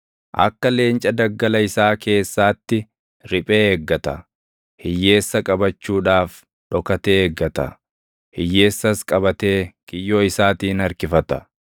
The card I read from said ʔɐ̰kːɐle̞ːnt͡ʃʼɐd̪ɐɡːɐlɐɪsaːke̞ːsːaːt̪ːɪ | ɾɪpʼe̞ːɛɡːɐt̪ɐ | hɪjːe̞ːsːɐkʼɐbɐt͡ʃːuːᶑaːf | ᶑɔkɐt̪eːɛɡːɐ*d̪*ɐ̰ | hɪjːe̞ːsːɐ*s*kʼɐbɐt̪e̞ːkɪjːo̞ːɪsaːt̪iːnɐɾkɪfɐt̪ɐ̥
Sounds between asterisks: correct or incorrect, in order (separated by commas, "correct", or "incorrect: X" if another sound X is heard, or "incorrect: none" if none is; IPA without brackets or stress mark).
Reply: incorrect: t̪, correct